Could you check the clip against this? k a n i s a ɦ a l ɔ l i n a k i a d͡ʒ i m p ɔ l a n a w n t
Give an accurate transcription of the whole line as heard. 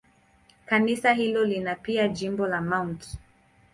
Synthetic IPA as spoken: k a n i s a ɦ i l ɔ l i n a p i a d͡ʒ i m b ɔ l a m a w n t

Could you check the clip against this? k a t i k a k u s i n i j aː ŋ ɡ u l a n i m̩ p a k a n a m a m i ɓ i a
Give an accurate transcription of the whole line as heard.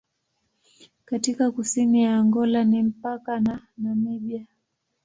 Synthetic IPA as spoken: k a t i k a k u s i n i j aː ŋ ɡ ɔ l a n i m̩ p a k a n a n a m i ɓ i a

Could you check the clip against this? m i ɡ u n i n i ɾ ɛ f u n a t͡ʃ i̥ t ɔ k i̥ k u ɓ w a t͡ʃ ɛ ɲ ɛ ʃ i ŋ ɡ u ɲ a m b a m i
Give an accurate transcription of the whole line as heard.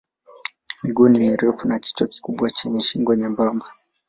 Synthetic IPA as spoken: m i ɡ u n i m i ɾ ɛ f u n a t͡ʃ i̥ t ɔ k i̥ k u ɓ w a t͡ʃ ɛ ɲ ɛ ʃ i ŋ ɡ ɔ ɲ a m b a m a

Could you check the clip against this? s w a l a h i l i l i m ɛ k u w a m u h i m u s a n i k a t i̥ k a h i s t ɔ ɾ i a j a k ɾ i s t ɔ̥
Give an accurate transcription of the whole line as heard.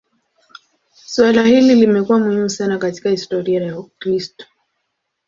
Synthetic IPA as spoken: s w a l a h i l i l i m ɛ k u w a m u h i m u s a n a k a t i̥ k a h i s t ɔ ɾ i a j a k ɾ i s t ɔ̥

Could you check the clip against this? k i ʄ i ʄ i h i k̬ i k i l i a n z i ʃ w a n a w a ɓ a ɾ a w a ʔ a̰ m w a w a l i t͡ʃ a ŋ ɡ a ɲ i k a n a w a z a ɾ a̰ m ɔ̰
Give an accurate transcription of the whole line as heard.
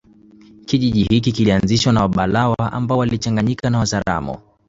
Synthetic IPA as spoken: k i ʄ i ʄ i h i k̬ i k i l i a n z i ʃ w a n a w a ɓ a l a w a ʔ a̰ m b a w a l i t͡ʃ a ŋ ɡ a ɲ i k a n a w a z a ɾ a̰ m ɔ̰

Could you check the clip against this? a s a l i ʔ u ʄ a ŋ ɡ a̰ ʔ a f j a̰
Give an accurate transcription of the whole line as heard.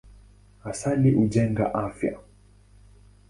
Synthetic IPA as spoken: a s a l i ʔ u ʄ ɛ ŋ ɡ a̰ ʔ a f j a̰

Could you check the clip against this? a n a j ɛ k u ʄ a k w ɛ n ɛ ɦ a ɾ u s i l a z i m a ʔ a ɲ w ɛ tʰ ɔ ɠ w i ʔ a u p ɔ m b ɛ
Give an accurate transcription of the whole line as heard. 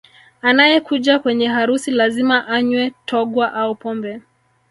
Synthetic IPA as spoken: a n a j ɛ k u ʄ a k w ɛ ɲ ɛ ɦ a ɾ u s i l a z i m a ʔ a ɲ w ɛ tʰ ɔ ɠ w a ʔ a u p ɔ m b ɛ

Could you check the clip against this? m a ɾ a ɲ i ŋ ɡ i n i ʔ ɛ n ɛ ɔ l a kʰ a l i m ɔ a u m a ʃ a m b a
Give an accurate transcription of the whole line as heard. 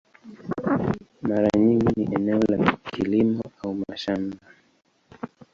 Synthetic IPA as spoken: m a ɾ a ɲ i ŋ ɡ i n i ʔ ɛ n ɛ ɔ l a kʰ i l i m ɔ a u m a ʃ a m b a

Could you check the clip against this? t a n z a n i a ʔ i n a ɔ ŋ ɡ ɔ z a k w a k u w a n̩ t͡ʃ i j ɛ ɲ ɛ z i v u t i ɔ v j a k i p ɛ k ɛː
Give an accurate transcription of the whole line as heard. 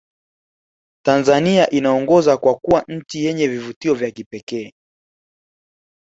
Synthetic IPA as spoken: t a n z a n i a ʔ i n a ɔ ŋ ɡ ɔ z a k w a k u w a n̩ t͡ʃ i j ɛ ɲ ɛ v i v u t i ɔ v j a k i p ɛ k ɛː

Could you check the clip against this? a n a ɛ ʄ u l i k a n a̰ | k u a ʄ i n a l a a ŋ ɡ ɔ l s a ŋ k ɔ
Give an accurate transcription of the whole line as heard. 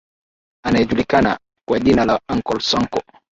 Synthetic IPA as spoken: a n a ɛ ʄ u l i k a n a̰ | k w a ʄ i n a l a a ŋ k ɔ l s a ŋ k ɔ

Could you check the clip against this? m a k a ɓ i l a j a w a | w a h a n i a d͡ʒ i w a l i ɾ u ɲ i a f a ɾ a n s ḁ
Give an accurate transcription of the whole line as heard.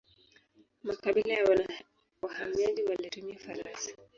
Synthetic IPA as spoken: m a k a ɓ i l a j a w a | w a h a m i a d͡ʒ i w a l i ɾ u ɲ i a f a ɾ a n s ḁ

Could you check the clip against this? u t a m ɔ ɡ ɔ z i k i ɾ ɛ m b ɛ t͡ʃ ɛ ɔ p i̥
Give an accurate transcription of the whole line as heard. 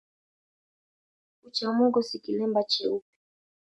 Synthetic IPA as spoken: u t͡ʃ a m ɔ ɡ ɔ s i k i l ɛ m b a t͡ʃ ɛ u p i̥

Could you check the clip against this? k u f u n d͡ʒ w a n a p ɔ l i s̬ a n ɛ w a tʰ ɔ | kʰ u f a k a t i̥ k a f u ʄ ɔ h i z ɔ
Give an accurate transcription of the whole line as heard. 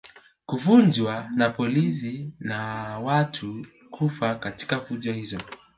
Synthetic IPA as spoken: k u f u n d͡ʒ w a n a p ɔ l i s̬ i n a w a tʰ u | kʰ u f a k a t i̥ k a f u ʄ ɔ h i z ɔ

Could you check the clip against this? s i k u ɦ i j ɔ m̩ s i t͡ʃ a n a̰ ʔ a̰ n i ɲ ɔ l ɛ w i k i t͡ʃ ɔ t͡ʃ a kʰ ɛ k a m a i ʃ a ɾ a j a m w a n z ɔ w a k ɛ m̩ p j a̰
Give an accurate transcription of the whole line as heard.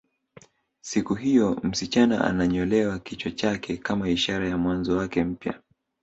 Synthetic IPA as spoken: s i k u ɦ i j ɔ m̩ s i t͡ʃ a n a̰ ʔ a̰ n a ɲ ɔ l ɛ w a k i t͡ʃ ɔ t͡ʃ a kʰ ɛ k a m a i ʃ a ɾ a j a m w a n z ɔ w a k ɛ m̩ p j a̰

